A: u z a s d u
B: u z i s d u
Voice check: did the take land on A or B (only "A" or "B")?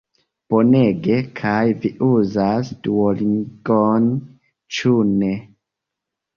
A